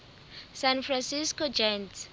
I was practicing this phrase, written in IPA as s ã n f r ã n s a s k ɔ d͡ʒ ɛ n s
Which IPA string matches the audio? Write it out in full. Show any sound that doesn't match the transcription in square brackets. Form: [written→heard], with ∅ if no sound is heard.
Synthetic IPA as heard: s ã n f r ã n s [a→i] s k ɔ d͡ʒ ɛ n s